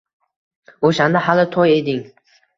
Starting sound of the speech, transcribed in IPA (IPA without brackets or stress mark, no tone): o